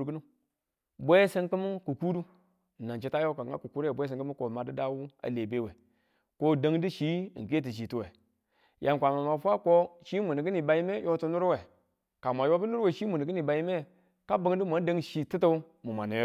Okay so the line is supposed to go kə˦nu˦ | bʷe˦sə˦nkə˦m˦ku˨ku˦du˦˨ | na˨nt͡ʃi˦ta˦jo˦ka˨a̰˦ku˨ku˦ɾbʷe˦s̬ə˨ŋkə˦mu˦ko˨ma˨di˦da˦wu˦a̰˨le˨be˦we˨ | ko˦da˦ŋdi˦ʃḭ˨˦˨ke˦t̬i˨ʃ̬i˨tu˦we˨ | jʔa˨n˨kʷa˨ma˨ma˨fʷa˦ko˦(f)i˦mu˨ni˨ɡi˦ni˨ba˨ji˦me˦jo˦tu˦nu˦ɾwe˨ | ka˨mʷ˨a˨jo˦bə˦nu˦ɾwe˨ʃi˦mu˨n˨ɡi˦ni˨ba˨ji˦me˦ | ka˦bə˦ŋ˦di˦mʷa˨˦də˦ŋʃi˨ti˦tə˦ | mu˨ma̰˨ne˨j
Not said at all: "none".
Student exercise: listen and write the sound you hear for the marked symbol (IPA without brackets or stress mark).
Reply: ʃ